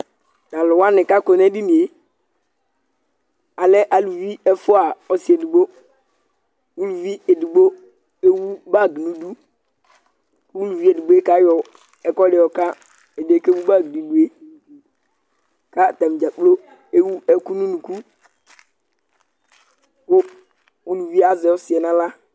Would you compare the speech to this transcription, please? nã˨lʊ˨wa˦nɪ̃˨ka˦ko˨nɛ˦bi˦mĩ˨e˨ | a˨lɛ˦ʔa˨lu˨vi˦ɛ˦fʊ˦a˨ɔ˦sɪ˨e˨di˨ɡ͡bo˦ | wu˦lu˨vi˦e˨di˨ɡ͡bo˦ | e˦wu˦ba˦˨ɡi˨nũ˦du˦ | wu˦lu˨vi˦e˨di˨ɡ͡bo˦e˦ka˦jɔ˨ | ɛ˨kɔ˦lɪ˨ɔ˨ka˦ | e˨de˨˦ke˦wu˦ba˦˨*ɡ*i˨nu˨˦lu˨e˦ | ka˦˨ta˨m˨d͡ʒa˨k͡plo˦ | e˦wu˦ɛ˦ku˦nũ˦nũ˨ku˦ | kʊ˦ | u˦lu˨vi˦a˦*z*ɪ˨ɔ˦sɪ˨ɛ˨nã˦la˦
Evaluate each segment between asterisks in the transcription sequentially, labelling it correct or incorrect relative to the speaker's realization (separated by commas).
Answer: correct, correct